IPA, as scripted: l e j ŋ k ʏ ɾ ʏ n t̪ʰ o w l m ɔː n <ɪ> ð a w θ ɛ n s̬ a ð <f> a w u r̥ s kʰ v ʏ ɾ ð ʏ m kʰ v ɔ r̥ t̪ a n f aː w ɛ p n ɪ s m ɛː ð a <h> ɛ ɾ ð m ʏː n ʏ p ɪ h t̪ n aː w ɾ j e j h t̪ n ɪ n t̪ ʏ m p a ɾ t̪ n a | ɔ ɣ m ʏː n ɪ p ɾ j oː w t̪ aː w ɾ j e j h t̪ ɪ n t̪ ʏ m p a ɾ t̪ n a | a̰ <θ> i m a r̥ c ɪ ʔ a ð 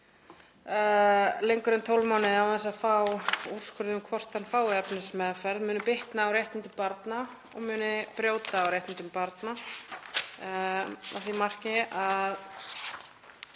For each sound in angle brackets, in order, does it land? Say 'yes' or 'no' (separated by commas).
yes, yes, no, yes